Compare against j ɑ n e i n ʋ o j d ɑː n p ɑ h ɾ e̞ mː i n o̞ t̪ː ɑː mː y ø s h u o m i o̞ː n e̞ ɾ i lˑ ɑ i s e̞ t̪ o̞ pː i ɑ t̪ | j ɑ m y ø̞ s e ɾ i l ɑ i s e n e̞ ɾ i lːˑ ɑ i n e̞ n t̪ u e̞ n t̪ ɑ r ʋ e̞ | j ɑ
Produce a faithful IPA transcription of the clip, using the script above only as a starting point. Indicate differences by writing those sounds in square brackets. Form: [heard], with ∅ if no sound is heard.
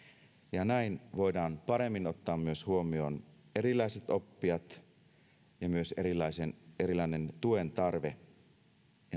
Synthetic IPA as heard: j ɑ n [æ] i n ʋ o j d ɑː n p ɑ [∅] ɾ e̞ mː i n o̞ t̪ː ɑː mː y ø s h u o m i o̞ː n e̞ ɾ i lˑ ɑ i s e̞ t̪ o̞ pː i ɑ t̪ | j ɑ m y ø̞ s e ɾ i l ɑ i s e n e̞ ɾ i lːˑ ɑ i n e̞ n t̪ u e̞ n t̪ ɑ r ʋ e̞ | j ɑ